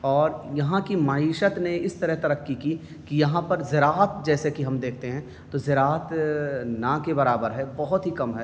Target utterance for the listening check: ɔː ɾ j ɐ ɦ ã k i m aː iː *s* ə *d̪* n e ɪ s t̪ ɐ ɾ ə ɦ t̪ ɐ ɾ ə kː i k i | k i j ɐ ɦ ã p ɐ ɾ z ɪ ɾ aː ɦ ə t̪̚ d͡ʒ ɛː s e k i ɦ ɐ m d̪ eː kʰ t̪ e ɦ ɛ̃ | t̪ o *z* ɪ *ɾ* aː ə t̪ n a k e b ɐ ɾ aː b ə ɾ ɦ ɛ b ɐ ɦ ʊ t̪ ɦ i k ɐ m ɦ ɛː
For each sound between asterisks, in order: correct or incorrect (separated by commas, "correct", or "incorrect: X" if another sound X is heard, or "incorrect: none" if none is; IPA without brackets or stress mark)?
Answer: incorrect: ʃ, incorrect: t̪, correct, correct